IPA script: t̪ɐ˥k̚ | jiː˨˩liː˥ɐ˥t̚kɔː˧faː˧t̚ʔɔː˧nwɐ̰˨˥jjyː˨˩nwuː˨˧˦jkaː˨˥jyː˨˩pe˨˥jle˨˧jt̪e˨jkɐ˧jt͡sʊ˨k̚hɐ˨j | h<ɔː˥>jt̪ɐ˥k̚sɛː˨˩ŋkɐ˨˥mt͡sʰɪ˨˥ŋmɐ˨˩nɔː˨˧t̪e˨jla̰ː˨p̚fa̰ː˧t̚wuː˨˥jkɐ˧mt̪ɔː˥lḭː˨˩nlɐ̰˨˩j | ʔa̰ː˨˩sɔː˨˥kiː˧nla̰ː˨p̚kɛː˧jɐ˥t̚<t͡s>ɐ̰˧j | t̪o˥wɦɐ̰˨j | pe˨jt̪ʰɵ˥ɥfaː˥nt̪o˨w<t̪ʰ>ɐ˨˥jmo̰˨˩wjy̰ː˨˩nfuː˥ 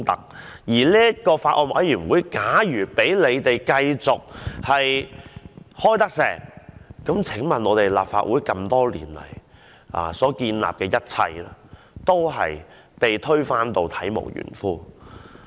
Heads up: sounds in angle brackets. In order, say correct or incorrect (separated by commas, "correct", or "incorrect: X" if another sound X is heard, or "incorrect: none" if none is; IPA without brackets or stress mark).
correct, incorrect: t͡sʰ, correct